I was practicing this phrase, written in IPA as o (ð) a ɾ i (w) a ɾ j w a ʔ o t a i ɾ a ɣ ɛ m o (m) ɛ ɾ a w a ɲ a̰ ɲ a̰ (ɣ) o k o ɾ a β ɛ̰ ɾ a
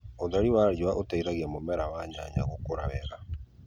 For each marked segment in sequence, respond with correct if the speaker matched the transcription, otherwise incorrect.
correct, correct, correct, correct

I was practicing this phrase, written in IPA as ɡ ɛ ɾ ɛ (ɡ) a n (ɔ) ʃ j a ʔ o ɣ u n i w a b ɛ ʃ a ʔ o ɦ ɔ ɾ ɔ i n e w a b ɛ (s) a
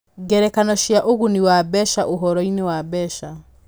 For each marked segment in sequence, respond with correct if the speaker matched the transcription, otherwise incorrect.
incorrect: k, correct, incorrect: ʃ

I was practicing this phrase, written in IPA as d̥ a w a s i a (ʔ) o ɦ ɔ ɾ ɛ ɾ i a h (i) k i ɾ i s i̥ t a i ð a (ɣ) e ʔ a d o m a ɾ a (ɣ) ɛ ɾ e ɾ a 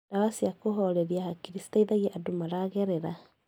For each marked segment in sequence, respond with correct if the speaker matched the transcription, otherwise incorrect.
incorrect: k, incorrect: a, correct, correct

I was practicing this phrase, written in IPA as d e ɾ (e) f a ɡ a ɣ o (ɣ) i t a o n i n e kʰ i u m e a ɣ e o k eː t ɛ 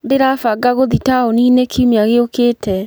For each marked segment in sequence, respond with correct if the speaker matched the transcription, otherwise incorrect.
incorrect: a, incorrect: ð

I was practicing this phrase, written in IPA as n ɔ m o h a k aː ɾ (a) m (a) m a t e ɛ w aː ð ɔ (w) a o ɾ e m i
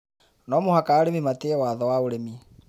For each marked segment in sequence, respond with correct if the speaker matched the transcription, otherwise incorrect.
incorrect: e, incorrect: i, correct

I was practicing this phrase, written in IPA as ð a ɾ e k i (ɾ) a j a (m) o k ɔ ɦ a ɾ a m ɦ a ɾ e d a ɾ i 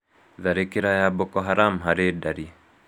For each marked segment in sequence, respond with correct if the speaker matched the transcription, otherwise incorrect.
correct, incorrect: b

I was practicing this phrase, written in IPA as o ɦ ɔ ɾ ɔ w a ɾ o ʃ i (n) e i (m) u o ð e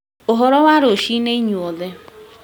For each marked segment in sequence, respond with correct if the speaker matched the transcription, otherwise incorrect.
correct, incorrect: ɲ

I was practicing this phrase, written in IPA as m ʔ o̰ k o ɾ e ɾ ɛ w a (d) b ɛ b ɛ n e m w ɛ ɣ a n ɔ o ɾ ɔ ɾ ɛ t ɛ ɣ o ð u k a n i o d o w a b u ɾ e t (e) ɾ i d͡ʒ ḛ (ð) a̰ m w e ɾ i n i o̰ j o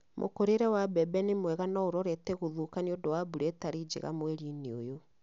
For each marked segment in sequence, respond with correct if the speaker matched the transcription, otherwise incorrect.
incorrect: none, incorrect: a, incorrect: ɣ

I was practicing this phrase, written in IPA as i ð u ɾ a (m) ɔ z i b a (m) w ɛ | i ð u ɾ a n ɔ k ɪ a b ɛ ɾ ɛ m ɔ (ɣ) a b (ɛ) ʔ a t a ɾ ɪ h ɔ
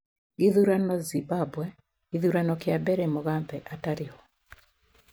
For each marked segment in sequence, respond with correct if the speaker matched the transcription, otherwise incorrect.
incorrect: n, incorrect: b, correct, correct

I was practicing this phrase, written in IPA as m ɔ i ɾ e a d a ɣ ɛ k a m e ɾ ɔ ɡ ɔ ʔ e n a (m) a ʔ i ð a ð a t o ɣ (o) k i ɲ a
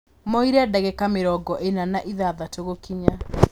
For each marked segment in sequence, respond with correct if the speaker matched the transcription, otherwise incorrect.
incorrect: n, correct

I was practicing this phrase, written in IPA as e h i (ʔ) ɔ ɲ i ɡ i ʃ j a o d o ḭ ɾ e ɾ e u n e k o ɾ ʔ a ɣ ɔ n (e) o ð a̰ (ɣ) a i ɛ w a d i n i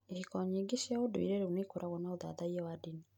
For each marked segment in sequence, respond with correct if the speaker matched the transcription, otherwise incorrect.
incorrect: k, incorrect: a, incorrect: ð

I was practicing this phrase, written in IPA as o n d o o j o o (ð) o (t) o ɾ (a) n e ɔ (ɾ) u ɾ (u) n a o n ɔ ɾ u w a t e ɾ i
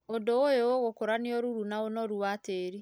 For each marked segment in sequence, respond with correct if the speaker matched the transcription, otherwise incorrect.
incorrect: ɣ, incorrect: k, correct, correct, correct

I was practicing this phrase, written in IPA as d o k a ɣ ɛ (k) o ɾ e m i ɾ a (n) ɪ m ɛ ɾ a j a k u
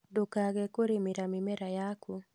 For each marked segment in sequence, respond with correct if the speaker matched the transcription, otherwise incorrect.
correct, incorrect: m

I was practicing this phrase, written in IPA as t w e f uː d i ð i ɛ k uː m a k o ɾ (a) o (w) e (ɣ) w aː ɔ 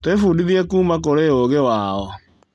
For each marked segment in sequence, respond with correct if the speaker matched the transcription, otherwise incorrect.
incorrect: e, incorrect: ɣ, incorrect: none

